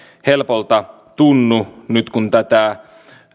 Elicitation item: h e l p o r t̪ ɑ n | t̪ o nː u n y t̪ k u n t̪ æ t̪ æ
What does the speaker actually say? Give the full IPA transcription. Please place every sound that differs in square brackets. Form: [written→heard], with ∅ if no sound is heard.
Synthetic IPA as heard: h e l p o [r→l] t̪ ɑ [n→∅] | t̪ [o→u] nː u n y t̪ k u n t̪ æ t̪ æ